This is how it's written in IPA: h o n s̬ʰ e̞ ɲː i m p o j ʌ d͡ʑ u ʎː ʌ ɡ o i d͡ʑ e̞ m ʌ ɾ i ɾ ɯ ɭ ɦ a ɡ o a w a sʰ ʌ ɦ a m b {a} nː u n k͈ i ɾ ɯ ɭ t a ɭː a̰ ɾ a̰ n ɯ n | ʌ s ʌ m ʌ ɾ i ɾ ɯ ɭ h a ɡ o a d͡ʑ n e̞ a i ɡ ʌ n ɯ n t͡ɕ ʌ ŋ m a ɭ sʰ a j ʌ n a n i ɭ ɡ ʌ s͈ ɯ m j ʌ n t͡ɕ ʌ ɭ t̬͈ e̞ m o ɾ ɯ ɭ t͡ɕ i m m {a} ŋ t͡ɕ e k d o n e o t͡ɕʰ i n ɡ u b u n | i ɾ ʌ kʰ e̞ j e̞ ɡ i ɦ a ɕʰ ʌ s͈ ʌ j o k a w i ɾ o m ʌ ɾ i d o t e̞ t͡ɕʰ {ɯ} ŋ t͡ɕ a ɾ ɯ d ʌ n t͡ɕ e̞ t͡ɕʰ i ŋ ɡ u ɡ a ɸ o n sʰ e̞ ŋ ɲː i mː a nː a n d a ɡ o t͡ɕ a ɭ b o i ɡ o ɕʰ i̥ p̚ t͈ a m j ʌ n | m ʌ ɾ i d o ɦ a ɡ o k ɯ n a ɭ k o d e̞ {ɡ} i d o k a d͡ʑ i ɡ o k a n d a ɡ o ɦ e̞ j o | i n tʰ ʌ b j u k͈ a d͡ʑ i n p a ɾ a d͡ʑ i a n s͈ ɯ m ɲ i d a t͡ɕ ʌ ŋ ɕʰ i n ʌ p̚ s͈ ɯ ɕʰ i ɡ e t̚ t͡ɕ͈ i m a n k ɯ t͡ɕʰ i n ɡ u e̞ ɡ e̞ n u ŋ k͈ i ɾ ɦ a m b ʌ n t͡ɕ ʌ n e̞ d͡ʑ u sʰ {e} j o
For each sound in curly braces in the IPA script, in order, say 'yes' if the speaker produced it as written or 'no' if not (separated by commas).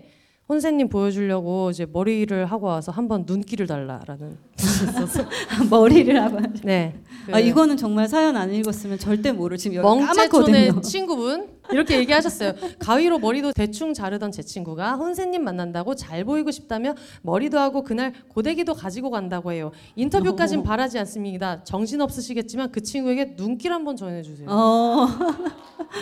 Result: no, no, no, yes, yes